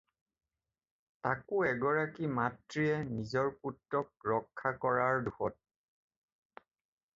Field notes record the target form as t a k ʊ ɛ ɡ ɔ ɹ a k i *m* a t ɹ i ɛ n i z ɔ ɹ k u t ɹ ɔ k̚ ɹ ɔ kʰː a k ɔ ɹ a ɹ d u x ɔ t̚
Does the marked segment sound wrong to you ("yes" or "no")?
no